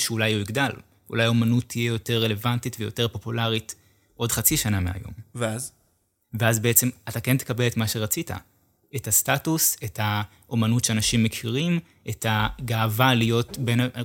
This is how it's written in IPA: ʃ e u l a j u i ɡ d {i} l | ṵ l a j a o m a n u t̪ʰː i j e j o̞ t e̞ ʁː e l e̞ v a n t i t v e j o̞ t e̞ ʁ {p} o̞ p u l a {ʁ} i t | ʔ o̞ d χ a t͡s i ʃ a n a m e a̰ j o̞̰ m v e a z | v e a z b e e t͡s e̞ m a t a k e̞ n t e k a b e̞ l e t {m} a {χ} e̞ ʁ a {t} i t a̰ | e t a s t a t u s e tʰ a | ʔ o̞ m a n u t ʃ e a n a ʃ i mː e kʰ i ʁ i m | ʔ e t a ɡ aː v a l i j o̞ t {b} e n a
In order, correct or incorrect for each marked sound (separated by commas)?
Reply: incorrect, correct, correct, correct, incorrect, incorrect, correct